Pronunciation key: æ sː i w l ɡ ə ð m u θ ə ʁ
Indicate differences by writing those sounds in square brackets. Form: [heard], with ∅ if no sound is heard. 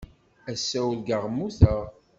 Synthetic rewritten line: æ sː [æ] w l ɡ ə [ʁ] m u θ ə ʁ